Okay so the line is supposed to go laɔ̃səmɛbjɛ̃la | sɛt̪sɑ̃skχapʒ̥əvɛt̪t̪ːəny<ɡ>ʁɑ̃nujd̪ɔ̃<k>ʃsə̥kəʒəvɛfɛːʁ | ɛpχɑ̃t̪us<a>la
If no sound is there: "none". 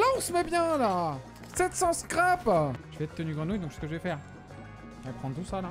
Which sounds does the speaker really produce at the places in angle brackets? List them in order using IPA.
ɡ, k, a

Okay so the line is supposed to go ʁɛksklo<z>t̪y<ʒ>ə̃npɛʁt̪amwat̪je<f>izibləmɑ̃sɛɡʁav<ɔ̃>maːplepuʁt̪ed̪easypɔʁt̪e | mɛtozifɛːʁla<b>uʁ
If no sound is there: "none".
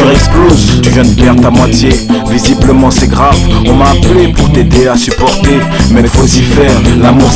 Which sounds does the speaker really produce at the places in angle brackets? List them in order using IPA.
z, ʒ, v, ɔ̃, m

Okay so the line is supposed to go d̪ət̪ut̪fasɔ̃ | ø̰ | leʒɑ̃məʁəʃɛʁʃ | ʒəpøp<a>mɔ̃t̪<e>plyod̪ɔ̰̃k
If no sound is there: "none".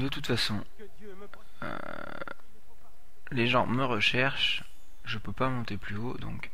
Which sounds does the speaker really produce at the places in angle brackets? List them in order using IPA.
a, e

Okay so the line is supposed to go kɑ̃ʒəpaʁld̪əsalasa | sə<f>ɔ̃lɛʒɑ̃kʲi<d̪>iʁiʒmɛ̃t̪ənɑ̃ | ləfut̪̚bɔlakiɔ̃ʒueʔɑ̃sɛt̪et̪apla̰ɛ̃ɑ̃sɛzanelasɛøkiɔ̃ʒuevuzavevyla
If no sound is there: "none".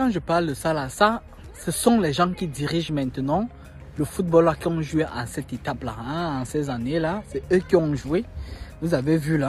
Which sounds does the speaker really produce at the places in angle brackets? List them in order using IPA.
s, d̪

